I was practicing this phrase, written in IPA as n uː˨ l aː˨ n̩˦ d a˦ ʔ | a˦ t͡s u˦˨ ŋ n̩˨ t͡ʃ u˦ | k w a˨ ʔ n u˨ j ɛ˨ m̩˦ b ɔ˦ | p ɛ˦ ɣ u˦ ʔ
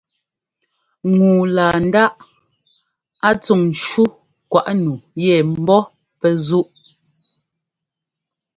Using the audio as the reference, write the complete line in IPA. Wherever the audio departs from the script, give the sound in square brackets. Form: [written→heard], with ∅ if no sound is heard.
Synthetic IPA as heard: [n→ŋ] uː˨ l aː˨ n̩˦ d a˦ ʔ | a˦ t͡s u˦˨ ŋ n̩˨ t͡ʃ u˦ | k w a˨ ʔ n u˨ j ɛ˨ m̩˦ b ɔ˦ | p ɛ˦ [ɣ→z] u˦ ʔ